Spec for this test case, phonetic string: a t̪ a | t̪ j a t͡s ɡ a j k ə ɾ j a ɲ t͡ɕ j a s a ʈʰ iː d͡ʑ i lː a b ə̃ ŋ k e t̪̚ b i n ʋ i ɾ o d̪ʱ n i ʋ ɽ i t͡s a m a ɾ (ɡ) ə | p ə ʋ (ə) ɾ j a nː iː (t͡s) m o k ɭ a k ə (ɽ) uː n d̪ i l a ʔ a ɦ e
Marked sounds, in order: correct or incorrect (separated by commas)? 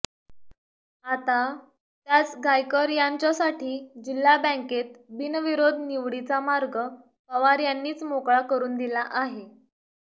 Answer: correct, incorrect, correct, incorrect